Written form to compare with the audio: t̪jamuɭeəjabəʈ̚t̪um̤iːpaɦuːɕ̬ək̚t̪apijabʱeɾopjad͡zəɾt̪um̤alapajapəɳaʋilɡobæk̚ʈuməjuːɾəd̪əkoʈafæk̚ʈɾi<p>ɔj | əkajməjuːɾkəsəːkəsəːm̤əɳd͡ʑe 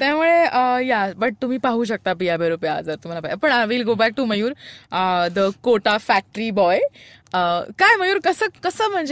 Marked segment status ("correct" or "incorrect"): incorrect